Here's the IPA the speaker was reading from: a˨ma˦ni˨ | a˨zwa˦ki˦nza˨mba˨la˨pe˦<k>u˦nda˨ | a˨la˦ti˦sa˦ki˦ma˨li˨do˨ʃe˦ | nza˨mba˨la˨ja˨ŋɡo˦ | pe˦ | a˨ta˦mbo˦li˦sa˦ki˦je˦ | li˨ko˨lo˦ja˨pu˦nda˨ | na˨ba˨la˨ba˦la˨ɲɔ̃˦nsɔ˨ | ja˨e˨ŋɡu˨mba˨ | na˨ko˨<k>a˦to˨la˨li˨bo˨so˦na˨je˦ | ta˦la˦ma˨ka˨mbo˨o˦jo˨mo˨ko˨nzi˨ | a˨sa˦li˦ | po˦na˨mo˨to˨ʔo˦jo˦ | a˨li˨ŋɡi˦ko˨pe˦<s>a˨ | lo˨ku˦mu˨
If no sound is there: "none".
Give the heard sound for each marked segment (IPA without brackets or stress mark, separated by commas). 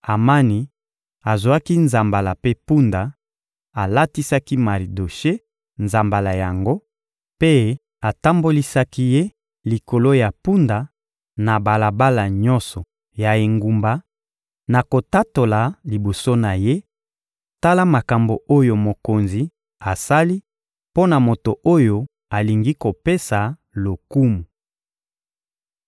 p, t, s